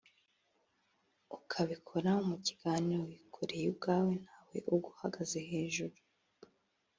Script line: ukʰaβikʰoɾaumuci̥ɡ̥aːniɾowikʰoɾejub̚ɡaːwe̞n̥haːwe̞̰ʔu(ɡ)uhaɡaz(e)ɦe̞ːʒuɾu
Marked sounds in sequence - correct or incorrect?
correct, correct

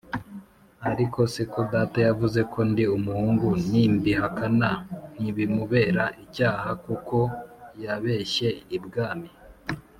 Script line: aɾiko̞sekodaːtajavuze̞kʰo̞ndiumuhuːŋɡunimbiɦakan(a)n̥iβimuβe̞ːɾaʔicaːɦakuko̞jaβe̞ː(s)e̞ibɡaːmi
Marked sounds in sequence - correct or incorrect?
correct, incorrect: ʃ

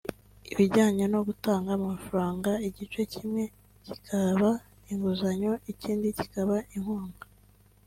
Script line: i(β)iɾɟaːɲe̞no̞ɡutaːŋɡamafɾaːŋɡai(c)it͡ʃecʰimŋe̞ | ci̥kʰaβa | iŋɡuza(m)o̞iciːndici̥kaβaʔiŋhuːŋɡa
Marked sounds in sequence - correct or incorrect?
correct, incorrect: ɟ, incorrect: ɲ

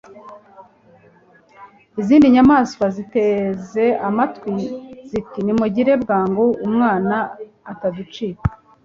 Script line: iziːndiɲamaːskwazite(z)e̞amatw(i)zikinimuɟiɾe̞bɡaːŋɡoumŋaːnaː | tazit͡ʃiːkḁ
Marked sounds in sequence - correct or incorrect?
correct, correct

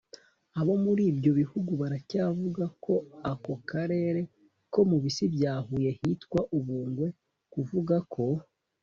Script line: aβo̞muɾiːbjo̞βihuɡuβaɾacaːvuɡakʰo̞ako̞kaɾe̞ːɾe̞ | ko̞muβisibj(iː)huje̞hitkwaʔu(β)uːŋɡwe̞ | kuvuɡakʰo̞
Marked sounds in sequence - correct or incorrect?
incorrect: aː, correct

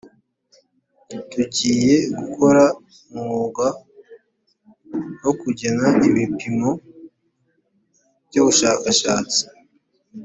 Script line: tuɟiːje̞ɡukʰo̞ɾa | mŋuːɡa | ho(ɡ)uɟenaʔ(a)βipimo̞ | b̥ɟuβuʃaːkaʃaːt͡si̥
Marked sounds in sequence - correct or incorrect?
incorrect: k, incorrect: i

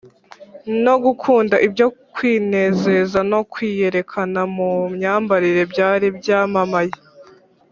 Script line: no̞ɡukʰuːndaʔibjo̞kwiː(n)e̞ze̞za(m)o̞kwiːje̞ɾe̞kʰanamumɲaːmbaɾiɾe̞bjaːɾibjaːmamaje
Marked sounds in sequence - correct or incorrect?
correct, incorrect: n

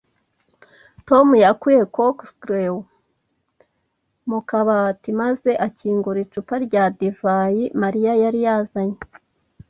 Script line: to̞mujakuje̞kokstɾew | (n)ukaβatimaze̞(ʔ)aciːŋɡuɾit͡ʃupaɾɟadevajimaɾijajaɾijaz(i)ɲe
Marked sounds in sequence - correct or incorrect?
incorrect: m, correct, incorrect: a

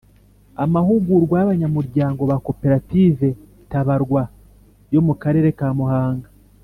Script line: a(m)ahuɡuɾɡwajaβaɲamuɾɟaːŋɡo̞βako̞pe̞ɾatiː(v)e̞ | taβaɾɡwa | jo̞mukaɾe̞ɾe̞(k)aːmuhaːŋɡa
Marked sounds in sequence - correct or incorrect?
correct, correct, correct

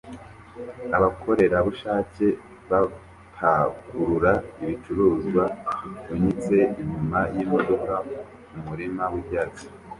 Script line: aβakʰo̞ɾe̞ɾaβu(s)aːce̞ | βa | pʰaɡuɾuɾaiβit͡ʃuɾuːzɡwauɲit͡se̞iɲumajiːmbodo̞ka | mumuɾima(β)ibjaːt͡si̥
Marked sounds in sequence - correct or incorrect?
incorrect: ʃ, incorrect: w

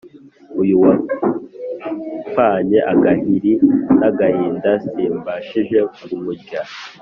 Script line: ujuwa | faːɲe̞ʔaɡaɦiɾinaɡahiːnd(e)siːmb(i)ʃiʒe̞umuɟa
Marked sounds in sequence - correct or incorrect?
incorrect: a, incorrect: a

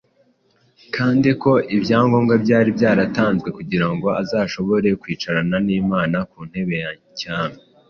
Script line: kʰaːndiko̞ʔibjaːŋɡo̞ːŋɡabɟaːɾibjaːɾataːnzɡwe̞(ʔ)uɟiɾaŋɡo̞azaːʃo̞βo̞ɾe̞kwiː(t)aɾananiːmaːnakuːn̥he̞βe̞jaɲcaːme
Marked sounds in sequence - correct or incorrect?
incorrect: k, incorrect: t͡ʃ

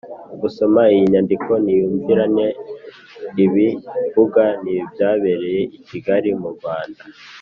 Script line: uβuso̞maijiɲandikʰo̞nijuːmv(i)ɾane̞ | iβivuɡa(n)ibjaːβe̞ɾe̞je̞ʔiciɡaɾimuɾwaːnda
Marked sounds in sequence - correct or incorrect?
correct, correct

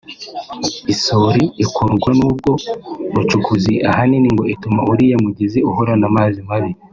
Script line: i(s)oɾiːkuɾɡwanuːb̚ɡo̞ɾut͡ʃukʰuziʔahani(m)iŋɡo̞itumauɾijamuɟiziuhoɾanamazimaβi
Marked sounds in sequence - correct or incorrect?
correct, incorrect: n

